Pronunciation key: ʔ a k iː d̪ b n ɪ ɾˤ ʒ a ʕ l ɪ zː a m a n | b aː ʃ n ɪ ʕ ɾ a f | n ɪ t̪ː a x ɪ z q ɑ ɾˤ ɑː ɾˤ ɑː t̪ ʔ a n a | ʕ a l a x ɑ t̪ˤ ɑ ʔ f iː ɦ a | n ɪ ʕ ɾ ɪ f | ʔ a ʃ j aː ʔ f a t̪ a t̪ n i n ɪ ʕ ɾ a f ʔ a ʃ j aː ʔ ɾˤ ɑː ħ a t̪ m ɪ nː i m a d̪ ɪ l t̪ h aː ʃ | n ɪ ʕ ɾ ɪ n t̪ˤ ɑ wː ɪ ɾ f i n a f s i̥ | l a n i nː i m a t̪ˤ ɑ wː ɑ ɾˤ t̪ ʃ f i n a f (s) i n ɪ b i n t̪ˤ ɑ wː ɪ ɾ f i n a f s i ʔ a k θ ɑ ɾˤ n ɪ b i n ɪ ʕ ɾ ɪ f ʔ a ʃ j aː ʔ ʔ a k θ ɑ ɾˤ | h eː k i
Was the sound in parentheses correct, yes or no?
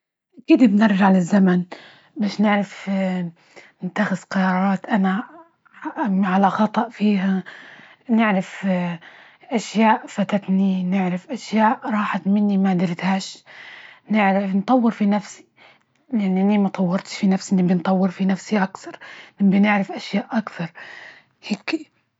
yes